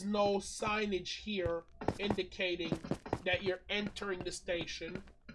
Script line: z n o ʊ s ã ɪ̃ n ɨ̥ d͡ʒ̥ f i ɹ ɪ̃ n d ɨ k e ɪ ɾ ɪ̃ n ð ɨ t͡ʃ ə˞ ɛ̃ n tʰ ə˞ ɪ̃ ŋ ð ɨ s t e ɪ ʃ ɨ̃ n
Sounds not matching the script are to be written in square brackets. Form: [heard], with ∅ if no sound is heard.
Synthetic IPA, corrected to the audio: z n o ʊ s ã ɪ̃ n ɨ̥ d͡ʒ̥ [h] i ɹ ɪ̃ n d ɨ [kʰ] e ɪ ɾ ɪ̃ [ŋ] ð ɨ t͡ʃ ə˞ ɛ̃ n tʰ ə˞ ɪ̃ ŋ ð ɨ s t e ɪ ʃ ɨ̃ n